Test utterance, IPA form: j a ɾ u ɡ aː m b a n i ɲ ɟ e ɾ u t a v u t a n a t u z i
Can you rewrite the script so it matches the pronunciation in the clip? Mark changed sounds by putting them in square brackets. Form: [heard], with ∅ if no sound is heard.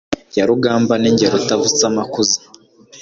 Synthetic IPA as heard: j a ɾ u ɡ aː m b a n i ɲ ɟ e ɾ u t a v u [t͡s] a [m] a [k] u z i